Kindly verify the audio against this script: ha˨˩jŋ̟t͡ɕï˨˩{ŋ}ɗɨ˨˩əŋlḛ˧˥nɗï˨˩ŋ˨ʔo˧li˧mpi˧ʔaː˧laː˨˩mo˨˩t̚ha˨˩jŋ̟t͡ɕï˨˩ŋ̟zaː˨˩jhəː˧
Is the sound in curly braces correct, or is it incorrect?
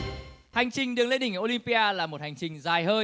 correct